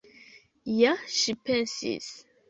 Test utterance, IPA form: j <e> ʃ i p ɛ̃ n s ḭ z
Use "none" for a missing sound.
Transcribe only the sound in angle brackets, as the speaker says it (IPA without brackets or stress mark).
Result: a